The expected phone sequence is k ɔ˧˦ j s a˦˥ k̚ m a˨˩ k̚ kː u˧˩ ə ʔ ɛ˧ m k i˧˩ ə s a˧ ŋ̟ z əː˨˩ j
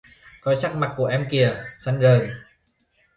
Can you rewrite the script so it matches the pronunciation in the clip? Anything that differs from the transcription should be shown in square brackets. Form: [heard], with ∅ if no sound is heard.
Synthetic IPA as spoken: k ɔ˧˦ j s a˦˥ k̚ m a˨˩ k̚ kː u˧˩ ə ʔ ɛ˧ m k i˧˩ ə s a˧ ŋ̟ z əː˨˩ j